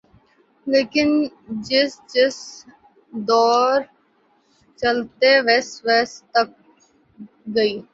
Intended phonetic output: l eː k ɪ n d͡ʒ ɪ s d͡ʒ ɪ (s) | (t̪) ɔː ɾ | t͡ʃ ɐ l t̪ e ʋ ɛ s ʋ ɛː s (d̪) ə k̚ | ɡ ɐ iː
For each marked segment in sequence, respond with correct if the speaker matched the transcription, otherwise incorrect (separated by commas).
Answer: correct, incorrect, incorrect